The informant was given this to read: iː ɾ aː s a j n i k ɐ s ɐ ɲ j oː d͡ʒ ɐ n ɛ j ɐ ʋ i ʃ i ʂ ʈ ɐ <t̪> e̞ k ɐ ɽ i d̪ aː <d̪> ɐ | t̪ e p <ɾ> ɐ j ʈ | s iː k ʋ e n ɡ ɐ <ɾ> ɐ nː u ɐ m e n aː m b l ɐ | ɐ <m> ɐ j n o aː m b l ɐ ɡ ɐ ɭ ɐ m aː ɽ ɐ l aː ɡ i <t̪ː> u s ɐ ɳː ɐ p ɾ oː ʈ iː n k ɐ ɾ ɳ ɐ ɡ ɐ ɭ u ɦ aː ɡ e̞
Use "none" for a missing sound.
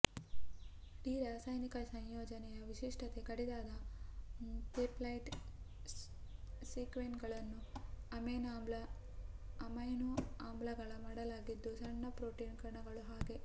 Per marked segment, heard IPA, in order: t̪, d̪, l, ɭ, m, d̪ː

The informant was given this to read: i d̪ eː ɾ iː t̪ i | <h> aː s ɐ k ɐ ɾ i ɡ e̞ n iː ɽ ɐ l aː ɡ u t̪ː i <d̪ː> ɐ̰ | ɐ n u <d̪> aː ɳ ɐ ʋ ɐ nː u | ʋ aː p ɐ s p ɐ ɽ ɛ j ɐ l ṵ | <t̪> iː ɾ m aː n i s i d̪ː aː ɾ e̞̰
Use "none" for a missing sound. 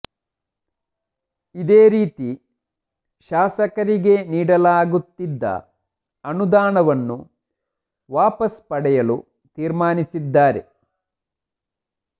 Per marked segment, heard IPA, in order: ʃ, d̪ː, d̪, t̪

